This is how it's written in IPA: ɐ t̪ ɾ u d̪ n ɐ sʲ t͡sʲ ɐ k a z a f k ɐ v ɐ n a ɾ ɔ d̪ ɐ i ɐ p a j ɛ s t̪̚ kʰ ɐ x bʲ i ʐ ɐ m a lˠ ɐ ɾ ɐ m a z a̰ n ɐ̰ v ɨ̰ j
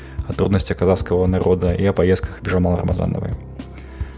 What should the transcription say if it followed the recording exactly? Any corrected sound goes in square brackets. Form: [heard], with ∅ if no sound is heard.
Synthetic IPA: ɐ t̪ ɾ u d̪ n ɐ sʲ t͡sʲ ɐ k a z a [s] k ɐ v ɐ n a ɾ ɔ d̪ ɐ i ɐ p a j ɛ s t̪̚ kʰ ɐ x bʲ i ʐ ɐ m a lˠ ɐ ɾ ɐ m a z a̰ n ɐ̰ v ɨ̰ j